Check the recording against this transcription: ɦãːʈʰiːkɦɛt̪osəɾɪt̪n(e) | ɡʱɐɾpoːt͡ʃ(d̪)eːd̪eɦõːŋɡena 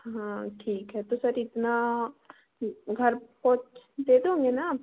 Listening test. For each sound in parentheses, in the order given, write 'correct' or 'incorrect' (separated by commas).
incorrect, correct